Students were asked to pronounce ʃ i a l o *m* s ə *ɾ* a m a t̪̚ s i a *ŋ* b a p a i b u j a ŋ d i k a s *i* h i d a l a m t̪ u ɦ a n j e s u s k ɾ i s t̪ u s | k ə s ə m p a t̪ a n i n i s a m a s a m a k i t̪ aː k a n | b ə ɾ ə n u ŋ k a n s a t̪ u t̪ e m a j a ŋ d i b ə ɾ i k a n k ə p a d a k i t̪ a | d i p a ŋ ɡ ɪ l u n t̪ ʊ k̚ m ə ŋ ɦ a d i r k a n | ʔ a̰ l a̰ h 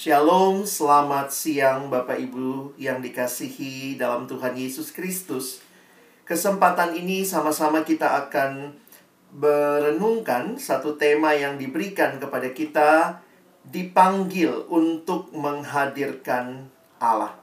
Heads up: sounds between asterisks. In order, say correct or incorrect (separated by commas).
correct, incorrect, correct, correct